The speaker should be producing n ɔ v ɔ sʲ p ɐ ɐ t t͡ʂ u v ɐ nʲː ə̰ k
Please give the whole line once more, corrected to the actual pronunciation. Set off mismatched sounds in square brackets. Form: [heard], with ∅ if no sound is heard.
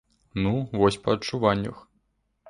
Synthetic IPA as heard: n [u] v ɔ sʲ p ɐ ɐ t t͡ʂ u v [a] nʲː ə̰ [x]

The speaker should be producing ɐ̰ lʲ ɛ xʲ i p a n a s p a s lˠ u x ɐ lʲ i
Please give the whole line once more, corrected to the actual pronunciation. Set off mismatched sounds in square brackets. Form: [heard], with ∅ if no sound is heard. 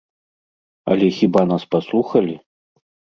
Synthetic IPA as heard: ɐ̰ lʲ ɛ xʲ i [b] a n a s p a s lˠ u x ɐ lʲ i

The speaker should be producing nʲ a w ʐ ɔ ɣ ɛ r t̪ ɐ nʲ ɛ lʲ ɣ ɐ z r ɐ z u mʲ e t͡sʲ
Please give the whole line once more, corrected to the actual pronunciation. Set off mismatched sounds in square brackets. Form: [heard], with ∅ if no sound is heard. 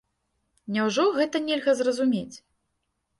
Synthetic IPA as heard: nʲ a w ʐ ɔ ɣ ɛ [∅] t̪ ɐ nʲ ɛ lʲ ɣ ɐ z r ɐ z u mʲ e t͡sʲ

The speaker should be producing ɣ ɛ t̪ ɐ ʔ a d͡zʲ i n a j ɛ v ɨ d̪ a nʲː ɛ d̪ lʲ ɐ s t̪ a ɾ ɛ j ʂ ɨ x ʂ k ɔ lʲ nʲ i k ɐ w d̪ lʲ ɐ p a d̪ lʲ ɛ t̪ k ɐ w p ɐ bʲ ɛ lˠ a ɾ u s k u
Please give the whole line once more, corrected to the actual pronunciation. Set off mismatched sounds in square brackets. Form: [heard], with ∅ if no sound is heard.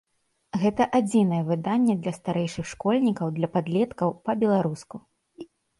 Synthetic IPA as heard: ɣ ɛ t̪ ɐ ʔ a d͡zʲ i n [ɐ] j ɛ v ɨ d̪ a nʲː ɛ d̪ lʲ ɐ s t̪ a ɾ ɛ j ʂ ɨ x ʂ k ɔ lʲ nʲ i k ɐ w d̪ lʲ ɐ p a d̪ lʲ ɛ t̪ k ɐ w p ɐ bʲ ɛ lˠ a ɾ u s k u

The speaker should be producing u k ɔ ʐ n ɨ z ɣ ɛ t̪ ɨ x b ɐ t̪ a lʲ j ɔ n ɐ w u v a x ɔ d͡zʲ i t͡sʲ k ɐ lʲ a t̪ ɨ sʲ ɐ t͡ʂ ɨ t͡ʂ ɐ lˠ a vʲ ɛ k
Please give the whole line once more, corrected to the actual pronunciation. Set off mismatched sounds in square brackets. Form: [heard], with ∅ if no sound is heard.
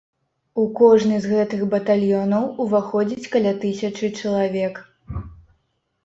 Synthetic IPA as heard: u k ɔ ʐ n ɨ z ɣ ɛ t̪ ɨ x b ɐ t̪ a lʲ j ɔ n ɐ w u v a x ɔ d͡zʲ i t͡sʲ k ɐ lʲ a t̪ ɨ sʲ ɐ t͡ʂ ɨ t͡ʂ ɐ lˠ a vʲ ɛ k

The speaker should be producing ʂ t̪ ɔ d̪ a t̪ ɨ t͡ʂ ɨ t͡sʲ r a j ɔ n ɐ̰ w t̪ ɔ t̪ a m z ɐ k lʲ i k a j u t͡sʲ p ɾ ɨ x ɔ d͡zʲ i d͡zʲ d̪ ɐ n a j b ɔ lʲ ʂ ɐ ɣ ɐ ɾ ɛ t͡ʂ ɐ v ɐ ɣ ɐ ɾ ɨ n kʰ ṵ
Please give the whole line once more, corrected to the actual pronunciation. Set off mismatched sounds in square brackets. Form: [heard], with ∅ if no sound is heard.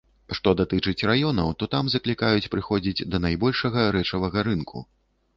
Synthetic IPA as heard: ʂ t̪ ɔ d̪ a t̪ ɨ t͡ʂ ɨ t͡sʲ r a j ɔ n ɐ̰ w t̪ ɔ t̪ a m z ɐ k lʲ i k a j u t͡sʲ p ɾ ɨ x ɔ d͡zʲ i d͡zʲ d̪ ɐ n a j b ɔ lʲ ʂ ɐ ɣ ɐ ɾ ɛ t͡ʂ ɐ v ɐ ɣ ɐ ɾ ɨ n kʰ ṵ

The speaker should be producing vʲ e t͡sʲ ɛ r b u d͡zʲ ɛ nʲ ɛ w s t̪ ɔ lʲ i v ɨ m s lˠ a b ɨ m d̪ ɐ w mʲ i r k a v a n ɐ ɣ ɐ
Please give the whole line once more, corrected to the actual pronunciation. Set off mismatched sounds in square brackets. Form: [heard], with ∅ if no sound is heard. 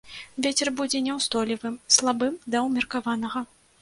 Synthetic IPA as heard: vʲ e t͡sʲ ɛ r b u d͡zʲ ɛ nʲ ɛ w s t̪ ɔ lʲ i v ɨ m s lˠ a b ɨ m d̪ ɐ w mʲ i r k a v a n ɐ ɣ ɐ

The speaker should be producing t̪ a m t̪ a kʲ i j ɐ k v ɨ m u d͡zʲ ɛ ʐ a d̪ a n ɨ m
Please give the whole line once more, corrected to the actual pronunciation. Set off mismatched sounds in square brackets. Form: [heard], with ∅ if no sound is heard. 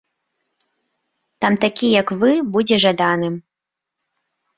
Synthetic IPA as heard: t̪ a m t̪ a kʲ i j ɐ k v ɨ [b] u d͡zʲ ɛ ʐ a d̪ a n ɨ m

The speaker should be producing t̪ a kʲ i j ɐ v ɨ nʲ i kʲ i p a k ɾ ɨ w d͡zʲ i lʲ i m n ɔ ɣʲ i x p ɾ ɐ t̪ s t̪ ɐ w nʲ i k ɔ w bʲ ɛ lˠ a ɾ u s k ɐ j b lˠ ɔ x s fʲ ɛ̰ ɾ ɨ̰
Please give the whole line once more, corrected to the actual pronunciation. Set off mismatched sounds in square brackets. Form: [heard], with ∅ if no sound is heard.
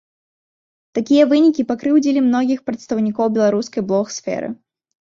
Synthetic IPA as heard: t̪ a kʲ i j ɐ v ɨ nʲ i kʲ i p a k ɾ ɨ w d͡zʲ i lʲ i m n ɔ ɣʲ i x p ɾ ɐ t̪ s t̪ ɐ w nʲ i k ɔ w bʲ ɛ lˠ a ɾ u s k ɐ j b lˠ ɔ x s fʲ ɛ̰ ɾ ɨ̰

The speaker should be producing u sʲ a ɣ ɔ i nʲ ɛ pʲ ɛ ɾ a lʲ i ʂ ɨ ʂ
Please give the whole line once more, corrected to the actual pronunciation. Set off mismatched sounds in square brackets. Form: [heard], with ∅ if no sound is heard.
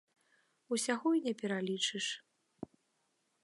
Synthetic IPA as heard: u sʲ a ɣ ɔ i nʲ ɛ pʲ ɛ ɾ a lʲ i [t͡ʂ] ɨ ʂ

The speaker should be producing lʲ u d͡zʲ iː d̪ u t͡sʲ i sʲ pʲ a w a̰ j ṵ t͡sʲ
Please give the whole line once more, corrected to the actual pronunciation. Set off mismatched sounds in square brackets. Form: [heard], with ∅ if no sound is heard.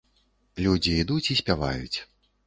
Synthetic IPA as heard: lʲ u d͡zʲ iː d̪ u t͡sʲ i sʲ pʲ a [v] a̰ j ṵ t͡sʲ

